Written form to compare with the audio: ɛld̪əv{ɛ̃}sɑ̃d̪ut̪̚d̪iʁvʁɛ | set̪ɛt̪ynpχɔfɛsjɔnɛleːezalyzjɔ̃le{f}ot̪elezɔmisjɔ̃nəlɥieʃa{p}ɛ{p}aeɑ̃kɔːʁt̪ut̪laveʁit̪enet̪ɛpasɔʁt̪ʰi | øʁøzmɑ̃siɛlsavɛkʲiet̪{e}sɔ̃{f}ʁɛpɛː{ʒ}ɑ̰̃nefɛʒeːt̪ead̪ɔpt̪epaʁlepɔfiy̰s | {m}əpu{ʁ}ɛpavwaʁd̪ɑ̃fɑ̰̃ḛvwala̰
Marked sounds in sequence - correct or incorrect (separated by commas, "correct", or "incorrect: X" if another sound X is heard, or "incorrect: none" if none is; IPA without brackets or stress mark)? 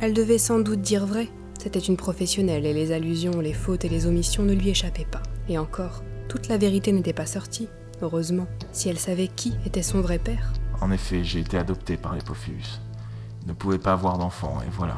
incorrect: ɛ, correct, correct, correct, incorrect: ɛ, incorrect: v, incorrect: ʁ, incorrect: n, incorrect: v